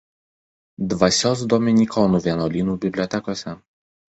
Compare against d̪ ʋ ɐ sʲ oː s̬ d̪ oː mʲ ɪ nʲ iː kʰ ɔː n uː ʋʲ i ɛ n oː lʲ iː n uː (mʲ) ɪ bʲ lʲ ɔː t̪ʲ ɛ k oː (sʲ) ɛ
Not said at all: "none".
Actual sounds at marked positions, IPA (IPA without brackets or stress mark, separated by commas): bʲ, sʲ